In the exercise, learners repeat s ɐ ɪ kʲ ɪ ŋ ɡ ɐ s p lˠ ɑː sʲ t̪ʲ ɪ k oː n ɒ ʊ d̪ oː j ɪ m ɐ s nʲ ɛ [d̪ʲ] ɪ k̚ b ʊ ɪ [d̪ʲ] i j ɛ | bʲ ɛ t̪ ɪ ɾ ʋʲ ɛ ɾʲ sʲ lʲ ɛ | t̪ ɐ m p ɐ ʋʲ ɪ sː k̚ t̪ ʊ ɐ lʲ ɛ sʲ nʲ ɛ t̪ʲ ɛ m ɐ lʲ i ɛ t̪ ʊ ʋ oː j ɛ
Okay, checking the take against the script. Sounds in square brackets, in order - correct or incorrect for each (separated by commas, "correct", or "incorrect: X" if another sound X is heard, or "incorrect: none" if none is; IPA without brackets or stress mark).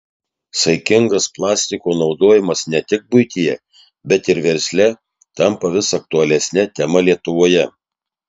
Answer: incorrect: t̪ʲ, incorrect: t̪ʲ